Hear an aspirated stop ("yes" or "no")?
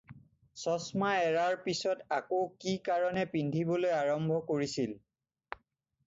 no